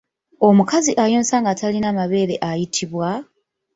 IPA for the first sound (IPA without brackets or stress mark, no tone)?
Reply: o̞